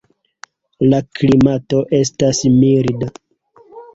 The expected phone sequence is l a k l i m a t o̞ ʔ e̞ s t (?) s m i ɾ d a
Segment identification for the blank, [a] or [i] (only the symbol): a